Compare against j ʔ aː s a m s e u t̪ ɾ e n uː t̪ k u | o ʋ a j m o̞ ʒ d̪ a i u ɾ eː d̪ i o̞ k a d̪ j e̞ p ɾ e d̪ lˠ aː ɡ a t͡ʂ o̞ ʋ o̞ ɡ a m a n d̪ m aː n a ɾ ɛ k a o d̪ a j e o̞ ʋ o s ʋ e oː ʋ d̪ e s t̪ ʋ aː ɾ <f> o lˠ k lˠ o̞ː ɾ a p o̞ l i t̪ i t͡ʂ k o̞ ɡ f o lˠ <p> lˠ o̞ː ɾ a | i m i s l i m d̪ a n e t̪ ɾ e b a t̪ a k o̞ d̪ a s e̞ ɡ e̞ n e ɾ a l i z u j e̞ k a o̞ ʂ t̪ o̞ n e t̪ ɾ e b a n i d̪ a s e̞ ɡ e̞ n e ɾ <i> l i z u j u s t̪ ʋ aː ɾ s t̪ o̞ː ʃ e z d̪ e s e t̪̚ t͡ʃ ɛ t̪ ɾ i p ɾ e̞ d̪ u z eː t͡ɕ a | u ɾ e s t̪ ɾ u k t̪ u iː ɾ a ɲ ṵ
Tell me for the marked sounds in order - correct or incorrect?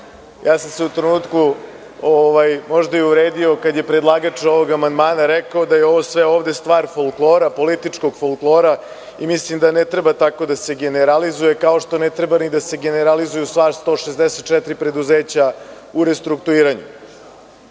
correct, incorrect: k, incorrect: a

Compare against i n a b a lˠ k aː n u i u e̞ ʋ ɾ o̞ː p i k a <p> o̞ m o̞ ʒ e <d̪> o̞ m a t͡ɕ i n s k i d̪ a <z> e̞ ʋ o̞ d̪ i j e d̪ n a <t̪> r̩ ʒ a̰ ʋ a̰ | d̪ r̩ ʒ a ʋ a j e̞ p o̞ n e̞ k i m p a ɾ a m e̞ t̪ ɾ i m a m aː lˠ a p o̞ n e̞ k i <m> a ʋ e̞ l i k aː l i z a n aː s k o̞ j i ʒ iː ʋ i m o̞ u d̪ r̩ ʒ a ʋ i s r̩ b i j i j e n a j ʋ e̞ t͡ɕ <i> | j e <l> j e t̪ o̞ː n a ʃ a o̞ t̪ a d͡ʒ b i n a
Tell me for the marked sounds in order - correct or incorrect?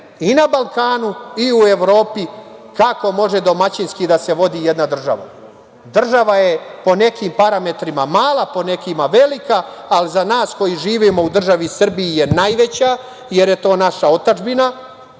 incorrect: k, correct, incorrect: s, incorrect: d̪, correct, incorrect: a, incorrect: ɾ

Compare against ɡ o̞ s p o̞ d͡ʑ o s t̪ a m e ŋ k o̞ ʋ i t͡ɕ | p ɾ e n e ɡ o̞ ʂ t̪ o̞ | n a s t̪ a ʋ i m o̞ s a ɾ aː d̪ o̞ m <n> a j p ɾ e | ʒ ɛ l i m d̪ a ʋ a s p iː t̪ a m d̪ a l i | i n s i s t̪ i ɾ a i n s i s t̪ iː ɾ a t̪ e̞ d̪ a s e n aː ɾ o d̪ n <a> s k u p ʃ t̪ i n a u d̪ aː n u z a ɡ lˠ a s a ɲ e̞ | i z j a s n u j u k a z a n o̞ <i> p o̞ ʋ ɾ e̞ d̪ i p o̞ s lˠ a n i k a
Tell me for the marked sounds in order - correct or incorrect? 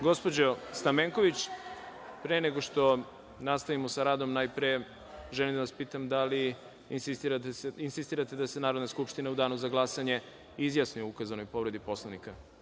correct, correct, incorrect: j

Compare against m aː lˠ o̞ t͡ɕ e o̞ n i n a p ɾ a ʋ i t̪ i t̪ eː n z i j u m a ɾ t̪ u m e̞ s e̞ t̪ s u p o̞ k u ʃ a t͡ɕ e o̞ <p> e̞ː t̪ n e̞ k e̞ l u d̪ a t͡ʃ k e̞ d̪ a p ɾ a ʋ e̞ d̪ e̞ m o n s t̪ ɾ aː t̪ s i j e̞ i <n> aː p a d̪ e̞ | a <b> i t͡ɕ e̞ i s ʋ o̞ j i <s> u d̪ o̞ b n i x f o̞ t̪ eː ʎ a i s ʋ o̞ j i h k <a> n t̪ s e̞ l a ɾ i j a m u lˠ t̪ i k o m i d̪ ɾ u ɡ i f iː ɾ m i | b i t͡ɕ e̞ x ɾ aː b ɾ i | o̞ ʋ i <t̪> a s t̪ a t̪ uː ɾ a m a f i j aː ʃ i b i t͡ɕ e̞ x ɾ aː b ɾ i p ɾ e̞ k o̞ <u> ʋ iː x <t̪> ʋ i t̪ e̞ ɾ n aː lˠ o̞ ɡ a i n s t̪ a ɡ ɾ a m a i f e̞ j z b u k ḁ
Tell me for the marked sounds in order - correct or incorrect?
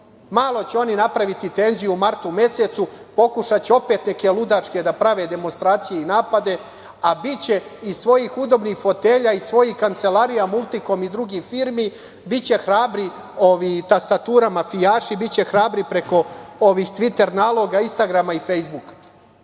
correct, correct, correct, incorrect: x, correct, correct, incorrect: o, correct

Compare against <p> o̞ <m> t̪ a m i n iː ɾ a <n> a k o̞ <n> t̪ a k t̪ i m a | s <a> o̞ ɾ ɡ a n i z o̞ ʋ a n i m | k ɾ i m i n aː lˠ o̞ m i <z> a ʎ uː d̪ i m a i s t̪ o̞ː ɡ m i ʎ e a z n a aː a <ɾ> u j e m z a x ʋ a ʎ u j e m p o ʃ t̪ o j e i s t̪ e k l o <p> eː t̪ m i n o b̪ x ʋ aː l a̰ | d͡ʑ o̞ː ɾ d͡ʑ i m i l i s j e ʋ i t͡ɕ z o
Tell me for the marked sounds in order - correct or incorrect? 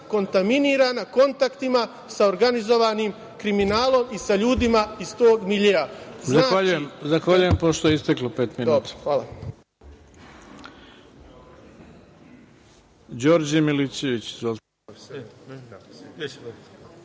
incorrect: k, incorrect: n, correct, correct, correct, incorrect: s, incorrect: ʎ, correct

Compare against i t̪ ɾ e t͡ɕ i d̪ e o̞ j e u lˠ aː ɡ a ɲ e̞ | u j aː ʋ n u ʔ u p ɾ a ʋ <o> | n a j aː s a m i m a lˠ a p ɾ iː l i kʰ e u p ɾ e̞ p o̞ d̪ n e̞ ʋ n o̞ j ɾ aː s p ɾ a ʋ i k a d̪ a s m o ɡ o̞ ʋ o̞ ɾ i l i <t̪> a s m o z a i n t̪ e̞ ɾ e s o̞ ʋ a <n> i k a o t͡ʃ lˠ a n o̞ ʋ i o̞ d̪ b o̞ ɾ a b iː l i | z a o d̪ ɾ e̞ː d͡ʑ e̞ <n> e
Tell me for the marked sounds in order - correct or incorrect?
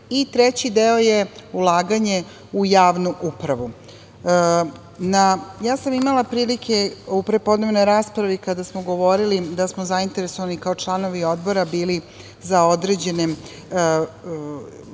incorrect: u, incorrect: d̪, correct, correct

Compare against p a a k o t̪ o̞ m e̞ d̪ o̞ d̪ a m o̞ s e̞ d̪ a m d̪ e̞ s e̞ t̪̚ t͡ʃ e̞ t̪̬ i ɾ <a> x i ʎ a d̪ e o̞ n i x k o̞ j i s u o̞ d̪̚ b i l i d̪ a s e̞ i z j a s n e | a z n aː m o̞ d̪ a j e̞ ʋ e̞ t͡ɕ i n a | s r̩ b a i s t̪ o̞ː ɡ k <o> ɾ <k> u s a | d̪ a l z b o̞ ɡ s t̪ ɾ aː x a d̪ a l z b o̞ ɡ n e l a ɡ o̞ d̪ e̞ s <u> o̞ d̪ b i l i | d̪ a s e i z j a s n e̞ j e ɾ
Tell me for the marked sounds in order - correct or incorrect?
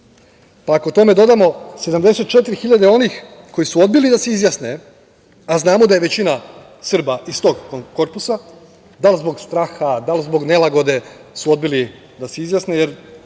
incorrect: i, correct, incorrect: p, correct

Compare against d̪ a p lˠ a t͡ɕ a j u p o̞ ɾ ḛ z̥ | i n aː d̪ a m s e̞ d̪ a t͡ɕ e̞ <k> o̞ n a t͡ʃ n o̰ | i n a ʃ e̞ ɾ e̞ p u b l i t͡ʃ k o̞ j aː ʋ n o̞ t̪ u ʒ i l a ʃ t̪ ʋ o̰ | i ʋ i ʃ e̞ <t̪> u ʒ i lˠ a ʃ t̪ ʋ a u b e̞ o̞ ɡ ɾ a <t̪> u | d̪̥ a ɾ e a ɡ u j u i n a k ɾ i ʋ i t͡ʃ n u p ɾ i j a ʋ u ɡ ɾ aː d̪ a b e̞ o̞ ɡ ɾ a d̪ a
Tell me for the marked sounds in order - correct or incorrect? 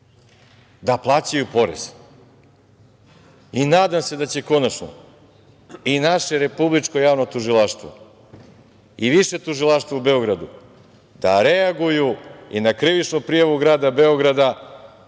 correct, correct, incorrect: d̪

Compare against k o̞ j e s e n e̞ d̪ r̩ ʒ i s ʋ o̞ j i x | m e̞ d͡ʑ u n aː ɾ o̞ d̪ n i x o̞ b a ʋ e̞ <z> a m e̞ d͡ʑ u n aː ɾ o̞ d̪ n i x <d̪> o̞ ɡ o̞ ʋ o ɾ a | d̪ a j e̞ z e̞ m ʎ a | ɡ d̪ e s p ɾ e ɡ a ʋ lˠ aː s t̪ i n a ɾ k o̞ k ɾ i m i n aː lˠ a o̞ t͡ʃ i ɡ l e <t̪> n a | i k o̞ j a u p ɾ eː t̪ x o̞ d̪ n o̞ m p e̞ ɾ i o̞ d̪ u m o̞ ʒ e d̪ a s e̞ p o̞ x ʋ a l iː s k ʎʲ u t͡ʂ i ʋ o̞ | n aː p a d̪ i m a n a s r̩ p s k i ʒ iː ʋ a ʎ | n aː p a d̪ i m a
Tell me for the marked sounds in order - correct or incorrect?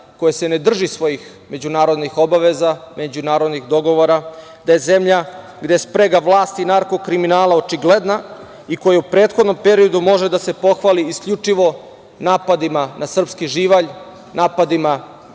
correct, correct, incorrect: d̪

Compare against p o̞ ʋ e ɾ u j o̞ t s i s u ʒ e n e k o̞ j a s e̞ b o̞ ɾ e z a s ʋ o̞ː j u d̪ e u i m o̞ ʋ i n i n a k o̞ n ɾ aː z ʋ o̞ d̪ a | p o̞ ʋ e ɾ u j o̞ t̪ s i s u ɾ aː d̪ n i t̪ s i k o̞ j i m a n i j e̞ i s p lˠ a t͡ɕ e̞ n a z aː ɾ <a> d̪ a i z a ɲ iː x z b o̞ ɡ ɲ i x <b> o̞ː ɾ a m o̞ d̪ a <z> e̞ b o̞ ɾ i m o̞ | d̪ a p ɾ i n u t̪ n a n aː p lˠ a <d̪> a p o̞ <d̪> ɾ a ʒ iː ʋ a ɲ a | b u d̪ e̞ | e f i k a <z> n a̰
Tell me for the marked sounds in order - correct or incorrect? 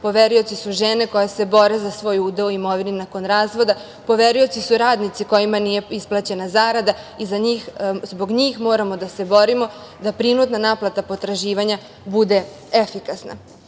correct, incorrect: m, incorrect: s, incorrect: t̪, incorrect: t̪, incorrect: s

